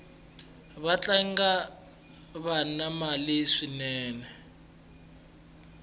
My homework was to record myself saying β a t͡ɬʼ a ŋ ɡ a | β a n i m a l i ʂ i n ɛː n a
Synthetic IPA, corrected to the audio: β a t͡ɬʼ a ŋ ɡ a | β a n a m a l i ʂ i n ɛː n ɛ

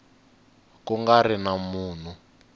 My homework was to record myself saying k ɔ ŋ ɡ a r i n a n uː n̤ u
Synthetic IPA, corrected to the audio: k u ŋ ɡ a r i n a m uː n̤ u

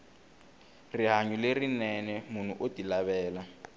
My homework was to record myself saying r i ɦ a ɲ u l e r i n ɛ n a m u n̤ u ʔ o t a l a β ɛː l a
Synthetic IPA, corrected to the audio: r i ɦ a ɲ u l e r i n ɛ n ɛ m u n̤ u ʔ o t i l a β ɛː l a

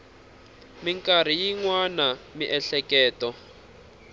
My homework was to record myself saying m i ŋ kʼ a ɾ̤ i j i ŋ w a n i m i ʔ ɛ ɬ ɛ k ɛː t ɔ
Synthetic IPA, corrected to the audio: m i ŋ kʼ a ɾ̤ i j i ŋ w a n a m i ʔ ɛ ɬ ɛ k ɛː t ɔ

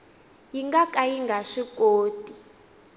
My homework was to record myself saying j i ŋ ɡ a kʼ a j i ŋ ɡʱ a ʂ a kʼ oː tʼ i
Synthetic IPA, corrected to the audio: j i ŋ ɡ a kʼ a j i ŋ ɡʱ a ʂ i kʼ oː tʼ i

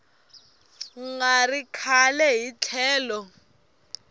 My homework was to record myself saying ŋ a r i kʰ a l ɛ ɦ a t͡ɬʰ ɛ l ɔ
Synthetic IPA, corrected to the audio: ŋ a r i kʰ a l ɛ ɦ i t͡ɬʰ ɛː l ɔ

